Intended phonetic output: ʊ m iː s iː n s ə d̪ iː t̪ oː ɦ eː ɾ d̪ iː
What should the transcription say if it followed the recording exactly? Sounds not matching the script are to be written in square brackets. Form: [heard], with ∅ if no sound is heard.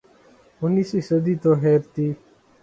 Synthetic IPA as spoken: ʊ [n] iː s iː [∅] s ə d̪ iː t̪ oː ɦ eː ɾ [t̪] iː